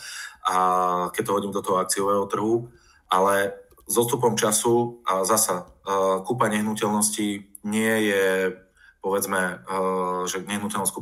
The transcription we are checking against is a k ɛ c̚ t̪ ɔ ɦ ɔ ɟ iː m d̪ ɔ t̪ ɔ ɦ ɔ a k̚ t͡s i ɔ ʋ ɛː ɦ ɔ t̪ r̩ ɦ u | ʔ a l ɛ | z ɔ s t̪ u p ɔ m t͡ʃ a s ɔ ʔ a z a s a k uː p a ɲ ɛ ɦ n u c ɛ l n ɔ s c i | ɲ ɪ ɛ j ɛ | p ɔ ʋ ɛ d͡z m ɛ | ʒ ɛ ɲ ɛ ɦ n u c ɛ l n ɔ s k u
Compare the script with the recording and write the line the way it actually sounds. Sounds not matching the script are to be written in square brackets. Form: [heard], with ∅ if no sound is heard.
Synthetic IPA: a k ɛ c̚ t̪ ɔ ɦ ɔ ɟ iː m d̪ ɔ t̪ ɔ ɦ ɔ a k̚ t͡s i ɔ ʋ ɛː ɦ ɔ t̪ r̩ ɦ u | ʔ a l ɛ | z ɔ s t̪ u p ɔ m t͡ʃ a s [u] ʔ a z a s a k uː p a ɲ ɛ ɦ n u c ɛ l n ɔ s c i | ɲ ɪ ɛ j ɛ | p ɔ ʋ ɛ d͡z m ɛ | ʒ ɛ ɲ ɛ ɦ n u c ɛ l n ɔ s k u